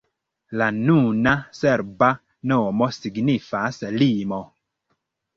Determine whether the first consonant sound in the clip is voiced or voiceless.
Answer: voiced